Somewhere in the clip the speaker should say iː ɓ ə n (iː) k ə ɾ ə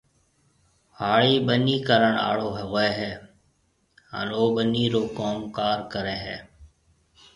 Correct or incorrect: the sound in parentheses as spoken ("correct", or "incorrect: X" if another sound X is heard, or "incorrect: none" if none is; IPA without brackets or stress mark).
correct